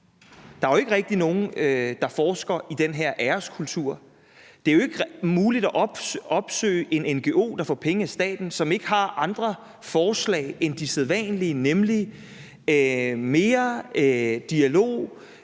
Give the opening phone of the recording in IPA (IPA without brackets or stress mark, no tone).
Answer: d̥